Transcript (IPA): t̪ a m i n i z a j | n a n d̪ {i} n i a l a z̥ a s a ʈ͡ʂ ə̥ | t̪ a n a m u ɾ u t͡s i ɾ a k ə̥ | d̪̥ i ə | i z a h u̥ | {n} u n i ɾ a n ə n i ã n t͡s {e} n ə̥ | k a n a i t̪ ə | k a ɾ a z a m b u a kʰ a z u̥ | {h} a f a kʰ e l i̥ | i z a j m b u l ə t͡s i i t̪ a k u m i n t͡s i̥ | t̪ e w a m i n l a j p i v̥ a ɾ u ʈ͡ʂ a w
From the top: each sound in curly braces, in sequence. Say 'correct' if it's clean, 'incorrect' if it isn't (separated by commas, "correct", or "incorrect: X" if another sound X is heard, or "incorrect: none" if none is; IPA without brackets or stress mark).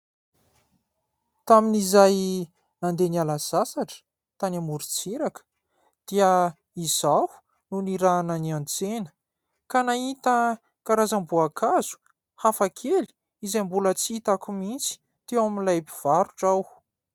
incorrect: e, correct, correct, correct